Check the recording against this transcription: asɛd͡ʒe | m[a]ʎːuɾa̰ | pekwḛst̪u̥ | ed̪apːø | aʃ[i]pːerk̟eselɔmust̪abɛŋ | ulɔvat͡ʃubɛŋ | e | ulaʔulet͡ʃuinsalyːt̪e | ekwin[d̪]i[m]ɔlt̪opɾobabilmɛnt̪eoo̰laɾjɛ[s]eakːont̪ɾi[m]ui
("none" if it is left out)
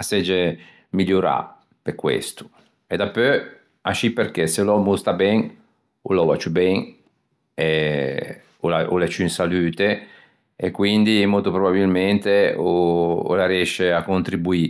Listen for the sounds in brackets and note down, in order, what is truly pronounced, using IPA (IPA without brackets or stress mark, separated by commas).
i, i, d̪, m, ʃ, b